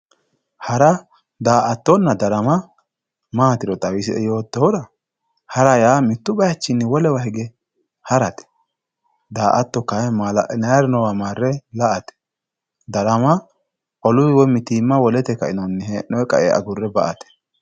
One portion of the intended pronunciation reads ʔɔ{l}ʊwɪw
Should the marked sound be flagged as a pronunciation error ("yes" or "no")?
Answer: no